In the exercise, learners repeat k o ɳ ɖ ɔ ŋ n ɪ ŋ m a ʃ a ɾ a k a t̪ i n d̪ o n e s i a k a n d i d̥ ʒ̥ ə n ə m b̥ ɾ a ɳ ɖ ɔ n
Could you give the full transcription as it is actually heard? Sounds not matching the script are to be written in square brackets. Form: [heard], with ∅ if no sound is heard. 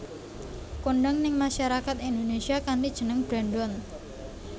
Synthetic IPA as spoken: k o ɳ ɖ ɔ ŋ n ɪ ŋ m a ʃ a ɾ a k a t̪ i n d̪ o n e s i a k a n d i d̥ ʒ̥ ə n ə [ŋ] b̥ ɾ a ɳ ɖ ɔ n